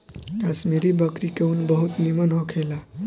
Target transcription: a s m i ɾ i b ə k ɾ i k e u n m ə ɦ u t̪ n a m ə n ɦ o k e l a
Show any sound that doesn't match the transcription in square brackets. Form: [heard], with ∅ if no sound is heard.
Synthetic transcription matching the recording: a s m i ɾ i b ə k ɾ i k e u n [b] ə ɦ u t̪ n [i] m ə n ɦ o [kʰ] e l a